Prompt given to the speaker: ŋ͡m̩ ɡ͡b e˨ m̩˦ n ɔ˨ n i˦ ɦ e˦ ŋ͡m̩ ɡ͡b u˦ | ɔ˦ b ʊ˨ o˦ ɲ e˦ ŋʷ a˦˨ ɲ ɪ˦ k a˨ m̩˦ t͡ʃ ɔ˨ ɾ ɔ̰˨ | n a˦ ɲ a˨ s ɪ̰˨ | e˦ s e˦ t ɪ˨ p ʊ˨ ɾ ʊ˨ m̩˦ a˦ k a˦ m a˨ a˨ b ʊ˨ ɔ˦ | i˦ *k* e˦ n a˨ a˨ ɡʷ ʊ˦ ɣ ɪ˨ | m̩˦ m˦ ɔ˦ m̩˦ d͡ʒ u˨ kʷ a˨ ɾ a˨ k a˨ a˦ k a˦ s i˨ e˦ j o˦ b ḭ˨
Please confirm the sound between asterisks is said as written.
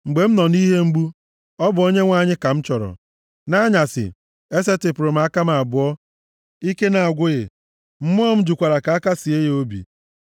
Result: yes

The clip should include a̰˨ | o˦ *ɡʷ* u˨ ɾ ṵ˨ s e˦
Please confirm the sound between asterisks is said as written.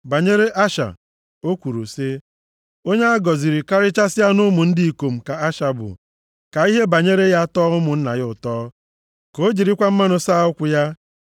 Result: no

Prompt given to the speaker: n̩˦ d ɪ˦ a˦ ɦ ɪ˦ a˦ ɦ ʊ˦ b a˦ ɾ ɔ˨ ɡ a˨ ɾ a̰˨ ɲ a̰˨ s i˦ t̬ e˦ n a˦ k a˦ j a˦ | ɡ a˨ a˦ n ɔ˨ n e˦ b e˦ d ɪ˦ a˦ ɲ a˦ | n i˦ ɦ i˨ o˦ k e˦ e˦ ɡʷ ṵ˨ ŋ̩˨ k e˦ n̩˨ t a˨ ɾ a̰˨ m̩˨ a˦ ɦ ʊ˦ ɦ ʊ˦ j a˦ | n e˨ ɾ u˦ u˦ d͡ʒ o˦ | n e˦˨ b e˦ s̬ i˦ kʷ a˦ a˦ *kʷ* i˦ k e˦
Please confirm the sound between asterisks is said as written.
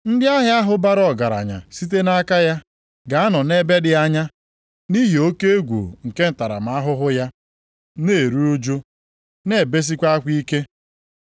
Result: yes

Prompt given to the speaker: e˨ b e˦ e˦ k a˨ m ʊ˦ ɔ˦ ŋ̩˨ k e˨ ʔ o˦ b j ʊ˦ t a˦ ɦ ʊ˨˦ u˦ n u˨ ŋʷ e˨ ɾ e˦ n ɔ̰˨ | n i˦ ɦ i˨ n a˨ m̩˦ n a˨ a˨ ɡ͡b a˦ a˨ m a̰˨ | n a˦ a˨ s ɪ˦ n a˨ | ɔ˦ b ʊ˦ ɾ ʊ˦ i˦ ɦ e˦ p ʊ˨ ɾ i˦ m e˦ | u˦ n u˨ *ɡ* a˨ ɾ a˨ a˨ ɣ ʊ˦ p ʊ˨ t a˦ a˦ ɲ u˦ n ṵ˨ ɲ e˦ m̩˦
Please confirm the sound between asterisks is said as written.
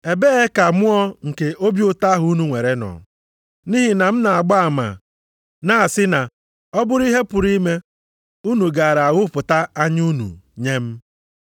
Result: yes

